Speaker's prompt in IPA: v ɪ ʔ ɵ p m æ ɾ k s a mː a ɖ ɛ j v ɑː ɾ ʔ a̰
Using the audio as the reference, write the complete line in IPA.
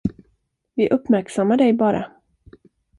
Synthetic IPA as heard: v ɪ ʔ ɵ p m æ ɾ k s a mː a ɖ ɛ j b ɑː ɾ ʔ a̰